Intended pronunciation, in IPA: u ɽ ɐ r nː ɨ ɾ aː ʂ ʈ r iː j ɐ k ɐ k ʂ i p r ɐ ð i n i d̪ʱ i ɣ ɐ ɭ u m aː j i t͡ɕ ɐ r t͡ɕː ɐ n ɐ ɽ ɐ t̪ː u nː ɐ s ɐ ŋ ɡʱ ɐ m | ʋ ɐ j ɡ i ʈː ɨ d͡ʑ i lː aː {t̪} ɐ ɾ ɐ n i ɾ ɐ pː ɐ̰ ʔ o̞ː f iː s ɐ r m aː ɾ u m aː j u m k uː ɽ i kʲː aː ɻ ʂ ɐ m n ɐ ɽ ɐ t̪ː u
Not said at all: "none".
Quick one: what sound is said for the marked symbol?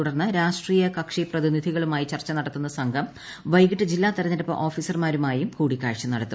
t̪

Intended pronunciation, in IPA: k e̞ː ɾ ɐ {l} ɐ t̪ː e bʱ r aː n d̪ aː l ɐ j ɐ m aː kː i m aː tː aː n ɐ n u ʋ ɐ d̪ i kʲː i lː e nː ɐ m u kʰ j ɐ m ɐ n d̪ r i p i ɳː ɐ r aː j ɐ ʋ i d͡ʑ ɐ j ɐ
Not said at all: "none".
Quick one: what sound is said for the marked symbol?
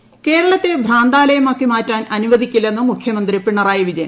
ɭ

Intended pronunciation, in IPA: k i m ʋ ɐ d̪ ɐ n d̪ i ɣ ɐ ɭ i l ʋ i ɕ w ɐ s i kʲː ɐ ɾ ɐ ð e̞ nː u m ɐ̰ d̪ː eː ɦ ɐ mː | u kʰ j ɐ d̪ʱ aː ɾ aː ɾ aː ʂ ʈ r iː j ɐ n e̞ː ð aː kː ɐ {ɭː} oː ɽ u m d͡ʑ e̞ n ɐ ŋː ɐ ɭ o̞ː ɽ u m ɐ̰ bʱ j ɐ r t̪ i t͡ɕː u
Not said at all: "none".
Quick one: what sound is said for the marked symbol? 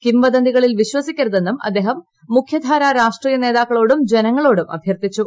ɭ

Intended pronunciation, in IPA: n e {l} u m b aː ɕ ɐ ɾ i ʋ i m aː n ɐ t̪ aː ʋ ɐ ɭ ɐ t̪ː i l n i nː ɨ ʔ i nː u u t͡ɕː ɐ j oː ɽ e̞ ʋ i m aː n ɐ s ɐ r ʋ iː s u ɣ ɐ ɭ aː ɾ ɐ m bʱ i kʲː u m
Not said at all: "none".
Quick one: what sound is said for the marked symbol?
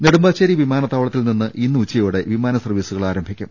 ɽ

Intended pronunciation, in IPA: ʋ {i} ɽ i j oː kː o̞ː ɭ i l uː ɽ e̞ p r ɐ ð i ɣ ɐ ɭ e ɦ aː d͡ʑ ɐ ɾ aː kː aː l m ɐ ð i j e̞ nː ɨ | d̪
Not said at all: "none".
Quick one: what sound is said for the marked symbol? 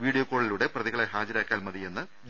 iː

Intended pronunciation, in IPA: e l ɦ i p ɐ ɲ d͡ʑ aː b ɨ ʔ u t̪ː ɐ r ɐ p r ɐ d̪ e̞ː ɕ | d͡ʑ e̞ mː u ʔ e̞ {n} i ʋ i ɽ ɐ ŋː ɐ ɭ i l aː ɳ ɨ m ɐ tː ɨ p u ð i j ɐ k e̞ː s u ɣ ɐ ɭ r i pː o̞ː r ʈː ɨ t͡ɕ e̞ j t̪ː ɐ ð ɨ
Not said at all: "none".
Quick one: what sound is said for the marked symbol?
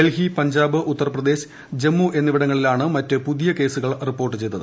nː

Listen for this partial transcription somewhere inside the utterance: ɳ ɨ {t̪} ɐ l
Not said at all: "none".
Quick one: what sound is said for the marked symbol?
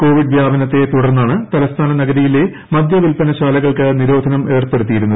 t̪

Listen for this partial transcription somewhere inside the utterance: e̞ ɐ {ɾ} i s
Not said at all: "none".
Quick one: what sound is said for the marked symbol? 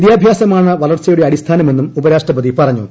ɽ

